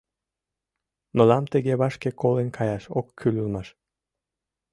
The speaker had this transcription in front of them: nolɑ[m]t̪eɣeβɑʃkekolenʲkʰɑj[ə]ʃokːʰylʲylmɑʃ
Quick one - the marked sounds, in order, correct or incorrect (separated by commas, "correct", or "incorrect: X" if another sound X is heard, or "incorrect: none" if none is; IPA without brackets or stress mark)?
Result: correct, incorrect: ɑ